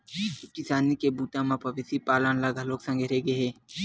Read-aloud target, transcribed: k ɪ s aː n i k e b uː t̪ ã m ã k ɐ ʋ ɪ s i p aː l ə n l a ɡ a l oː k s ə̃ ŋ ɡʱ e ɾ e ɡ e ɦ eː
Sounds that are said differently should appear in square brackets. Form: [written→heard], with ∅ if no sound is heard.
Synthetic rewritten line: k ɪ s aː n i k e b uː t̪ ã m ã [k→p] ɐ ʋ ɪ s i p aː l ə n l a ɡ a l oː k s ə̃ ŋ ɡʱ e ɾ e ɡ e ɦ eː